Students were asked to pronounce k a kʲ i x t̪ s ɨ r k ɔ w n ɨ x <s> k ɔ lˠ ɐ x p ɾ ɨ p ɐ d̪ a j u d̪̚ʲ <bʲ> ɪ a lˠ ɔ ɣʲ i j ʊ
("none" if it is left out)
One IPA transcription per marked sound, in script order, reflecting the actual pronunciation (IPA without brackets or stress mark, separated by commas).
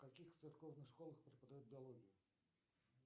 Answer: ʂ, bʲ